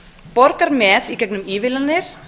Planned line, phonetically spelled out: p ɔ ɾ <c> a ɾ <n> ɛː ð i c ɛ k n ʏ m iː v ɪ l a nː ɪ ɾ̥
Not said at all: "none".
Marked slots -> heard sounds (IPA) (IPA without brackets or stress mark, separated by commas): k, m